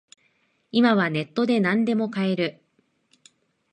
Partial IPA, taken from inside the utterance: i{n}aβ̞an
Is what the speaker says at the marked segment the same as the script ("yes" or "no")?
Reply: no